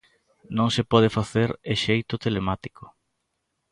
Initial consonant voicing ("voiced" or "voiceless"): voiced